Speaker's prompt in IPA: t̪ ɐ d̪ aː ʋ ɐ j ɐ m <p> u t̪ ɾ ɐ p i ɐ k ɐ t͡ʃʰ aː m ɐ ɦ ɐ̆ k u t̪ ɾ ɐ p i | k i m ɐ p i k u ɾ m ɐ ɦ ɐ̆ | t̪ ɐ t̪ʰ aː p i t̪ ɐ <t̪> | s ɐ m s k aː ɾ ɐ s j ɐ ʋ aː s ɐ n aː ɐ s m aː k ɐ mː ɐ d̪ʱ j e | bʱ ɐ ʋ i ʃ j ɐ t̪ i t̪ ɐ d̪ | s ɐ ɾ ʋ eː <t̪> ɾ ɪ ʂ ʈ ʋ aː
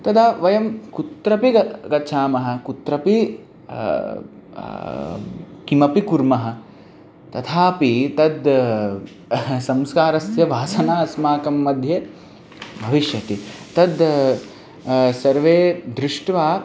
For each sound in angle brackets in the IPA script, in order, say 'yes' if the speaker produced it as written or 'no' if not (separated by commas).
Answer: no, no, no